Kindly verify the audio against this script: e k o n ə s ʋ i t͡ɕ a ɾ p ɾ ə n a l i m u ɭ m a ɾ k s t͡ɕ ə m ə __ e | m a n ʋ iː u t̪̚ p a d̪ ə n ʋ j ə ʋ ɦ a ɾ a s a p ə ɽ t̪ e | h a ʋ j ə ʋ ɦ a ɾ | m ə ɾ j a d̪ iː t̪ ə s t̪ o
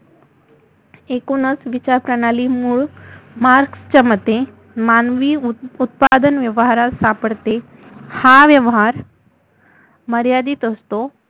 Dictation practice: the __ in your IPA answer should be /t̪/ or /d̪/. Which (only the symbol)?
t̪